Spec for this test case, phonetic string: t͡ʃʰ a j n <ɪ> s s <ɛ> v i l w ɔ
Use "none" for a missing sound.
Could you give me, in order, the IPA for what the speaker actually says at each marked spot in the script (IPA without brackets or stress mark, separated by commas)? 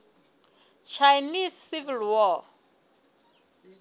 i, i